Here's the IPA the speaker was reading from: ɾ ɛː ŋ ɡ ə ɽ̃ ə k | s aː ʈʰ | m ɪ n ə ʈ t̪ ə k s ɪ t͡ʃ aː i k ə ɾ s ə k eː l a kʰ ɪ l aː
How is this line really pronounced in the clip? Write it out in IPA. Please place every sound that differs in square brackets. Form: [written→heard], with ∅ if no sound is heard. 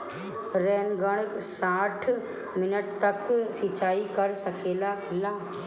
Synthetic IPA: ɾ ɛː [ŋ→n] ɡ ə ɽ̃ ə k | s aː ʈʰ | m ɪ n ə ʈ t̪ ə k s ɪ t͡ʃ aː i k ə ɾ s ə k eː l a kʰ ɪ l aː